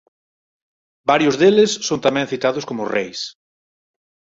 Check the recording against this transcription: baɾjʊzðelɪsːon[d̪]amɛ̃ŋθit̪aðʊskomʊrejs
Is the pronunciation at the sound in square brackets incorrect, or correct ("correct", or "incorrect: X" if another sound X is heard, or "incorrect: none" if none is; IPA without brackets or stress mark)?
incorrect: t̪